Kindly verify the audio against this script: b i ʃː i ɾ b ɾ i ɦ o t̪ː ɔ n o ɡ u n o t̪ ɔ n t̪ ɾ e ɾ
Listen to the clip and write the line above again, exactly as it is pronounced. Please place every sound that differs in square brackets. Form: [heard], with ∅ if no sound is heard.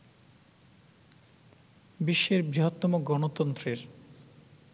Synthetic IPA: b i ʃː [e] ɾ b ɾ i ɦ o t̪ː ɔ [m] o ɡ [ɔ] n o t̪ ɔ n t̪ ɾ e ɾ